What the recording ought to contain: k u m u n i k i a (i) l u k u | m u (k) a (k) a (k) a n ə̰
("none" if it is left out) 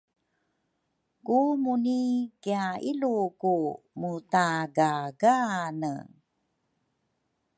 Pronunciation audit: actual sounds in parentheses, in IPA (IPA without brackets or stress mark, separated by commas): i, t, ɡ, ɡ